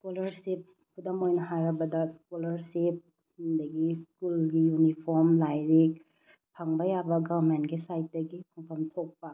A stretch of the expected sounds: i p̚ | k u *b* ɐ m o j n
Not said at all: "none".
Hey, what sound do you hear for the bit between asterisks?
d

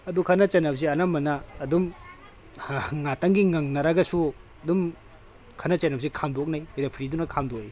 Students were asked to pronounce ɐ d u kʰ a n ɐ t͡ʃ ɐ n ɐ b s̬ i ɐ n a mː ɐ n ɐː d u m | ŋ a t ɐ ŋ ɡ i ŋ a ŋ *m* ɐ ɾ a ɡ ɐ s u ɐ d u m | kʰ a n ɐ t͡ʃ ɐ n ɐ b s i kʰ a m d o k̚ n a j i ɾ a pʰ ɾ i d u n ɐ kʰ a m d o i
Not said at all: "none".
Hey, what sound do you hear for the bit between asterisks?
n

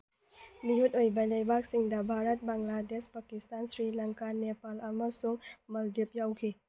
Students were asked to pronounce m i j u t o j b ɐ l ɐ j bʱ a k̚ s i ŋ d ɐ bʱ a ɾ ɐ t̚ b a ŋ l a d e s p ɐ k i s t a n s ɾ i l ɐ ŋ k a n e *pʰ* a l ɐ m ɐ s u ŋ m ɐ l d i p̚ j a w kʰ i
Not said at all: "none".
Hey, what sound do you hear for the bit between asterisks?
p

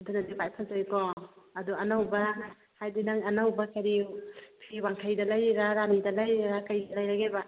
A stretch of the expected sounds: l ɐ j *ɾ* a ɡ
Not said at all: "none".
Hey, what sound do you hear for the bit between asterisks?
ɾ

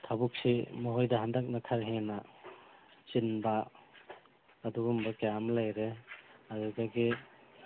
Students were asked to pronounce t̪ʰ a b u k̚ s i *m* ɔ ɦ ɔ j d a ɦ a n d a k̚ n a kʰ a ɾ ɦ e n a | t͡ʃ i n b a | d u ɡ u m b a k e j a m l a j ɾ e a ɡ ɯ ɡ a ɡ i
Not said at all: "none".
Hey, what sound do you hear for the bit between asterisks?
m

